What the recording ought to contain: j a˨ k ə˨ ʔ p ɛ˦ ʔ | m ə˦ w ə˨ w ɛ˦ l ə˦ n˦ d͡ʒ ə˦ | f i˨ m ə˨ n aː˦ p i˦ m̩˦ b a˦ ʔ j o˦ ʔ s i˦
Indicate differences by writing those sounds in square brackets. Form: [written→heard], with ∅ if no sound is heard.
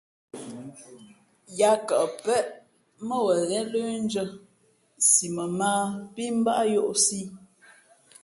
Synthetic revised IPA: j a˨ k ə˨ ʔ p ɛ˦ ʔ | m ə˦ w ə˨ [w→ɣ] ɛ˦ l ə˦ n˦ d͡ʒ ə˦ | [f→s] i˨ m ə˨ [n→m] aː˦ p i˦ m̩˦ b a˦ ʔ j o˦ ʔ s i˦